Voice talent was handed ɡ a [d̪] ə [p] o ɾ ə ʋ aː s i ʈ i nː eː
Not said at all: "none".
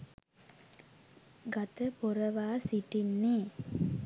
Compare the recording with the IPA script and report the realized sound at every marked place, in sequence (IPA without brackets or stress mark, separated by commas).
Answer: t̪, p